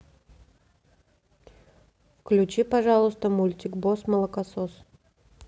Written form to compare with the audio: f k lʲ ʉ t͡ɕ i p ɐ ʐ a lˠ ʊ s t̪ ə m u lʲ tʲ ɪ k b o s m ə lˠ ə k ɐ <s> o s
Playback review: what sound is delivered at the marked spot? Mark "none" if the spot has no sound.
s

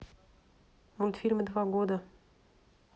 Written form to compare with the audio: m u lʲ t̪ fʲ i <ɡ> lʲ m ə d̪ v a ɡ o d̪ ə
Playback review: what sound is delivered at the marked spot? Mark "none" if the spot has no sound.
none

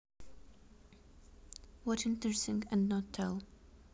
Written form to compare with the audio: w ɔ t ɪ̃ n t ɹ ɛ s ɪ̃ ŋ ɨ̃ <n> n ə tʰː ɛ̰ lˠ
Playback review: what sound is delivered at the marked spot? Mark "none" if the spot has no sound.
n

